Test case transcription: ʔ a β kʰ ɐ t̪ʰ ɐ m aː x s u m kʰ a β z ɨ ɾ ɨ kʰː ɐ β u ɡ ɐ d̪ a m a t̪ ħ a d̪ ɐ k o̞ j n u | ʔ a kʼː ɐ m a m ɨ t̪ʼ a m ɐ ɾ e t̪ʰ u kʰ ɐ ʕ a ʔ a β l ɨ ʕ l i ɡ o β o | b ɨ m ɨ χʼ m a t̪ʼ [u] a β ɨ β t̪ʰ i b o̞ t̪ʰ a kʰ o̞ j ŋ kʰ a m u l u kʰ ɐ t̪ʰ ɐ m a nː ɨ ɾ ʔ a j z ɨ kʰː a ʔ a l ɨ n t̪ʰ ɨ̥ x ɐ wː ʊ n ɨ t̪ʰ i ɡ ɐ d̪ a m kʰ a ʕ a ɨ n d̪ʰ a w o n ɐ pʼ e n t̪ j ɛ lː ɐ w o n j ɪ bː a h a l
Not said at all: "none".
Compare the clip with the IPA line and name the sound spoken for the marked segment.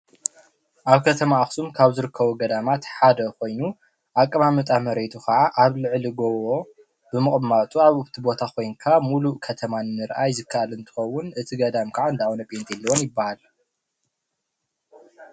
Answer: u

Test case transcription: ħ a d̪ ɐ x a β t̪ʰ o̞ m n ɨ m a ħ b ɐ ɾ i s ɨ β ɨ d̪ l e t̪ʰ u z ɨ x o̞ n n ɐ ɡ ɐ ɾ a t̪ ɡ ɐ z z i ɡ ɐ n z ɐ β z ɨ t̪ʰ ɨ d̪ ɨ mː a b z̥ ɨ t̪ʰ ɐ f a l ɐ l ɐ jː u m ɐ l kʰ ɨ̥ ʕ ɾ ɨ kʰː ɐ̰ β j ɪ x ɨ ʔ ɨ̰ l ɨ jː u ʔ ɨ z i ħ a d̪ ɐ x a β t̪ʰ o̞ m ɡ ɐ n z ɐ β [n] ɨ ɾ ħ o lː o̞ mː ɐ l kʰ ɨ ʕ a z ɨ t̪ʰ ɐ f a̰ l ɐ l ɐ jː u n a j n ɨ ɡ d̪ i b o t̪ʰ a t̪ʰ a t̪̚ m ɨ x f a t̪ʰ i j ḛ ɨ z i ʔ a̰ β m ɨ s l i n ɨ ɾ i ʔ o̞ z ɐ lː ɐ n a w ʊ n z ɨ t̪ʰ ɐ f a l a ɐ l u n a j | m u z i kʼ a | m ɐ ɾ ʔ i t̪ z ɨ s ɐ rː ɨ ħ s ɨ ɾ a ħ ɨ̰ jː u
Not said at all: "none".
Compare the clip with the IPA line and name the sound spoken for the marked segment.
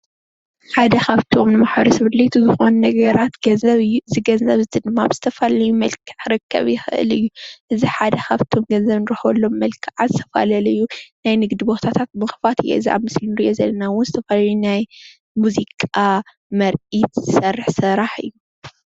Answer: n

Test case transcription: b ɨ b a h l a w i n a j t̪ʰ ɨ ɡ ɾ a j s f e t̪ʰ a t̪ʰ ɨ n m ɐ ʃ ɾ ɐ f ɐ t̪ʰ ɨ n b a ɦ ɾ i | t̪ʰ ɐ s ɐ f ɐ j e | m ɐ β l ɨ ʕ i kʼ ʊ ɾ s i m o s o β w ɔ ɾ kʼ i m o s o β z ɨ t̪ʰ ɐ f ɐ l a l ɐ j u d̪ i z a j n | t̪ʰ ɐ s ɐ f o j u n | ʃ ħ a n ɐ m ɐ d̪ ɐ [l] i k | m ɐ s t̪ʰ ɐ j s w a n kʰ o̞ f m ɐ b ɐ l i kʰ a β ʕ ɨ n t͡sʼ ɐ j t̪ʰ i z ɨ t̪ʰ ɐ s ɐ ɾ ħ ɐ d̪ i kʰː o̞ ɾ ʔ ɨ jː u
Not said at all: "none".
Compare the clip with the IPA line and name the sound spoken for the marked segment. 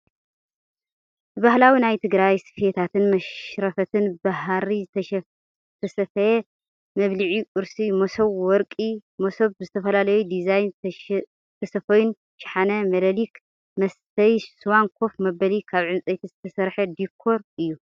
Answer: l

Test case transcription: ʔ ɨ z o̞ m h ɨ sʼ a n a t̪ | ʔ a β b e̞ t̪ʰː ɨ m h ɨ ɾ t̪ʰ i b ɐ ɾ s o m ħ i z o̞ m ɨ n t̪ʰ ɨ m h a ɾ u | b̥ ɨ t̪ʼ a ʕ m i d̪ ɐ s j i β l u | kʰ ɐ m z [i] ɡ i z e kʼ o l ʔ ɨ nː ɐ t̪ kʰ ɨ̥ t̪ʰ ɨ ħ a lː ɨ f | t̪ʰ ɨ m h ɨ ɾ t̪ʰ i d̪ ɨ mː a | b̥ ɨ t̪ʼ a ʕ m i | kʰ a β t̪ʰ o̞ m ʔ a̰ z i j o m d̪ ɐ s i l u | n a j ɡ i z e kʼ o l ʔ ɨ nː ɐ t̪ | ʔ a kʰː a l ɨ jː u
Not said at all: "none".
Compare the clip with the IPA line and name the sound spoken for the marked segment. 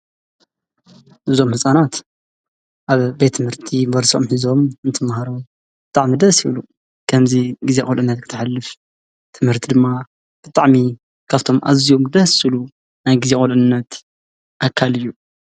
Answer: i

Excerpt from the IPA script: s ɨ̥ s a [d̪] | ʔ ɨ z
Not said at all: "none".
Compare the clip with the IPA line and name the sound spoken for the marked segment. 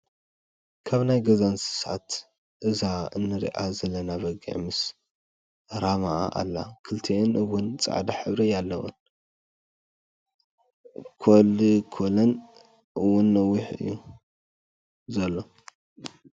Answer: t̪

